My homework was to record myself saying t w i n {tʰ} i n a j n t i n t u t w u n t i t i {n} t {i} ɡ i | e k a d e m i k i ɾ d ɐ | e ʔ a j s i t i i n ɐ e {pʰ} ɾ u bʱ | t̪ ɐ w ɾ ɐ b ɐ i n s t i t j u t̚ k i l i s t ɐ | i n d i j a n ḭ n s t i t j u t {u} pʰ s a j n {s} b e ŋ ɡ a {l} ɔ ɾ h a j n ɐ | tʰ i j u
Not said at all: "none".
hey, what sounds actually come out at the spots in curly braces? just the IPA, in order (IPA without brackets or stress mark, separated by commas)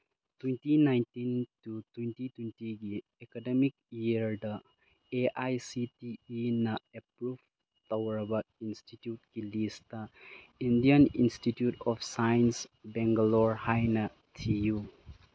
t, n, i, p, ɔ, s, l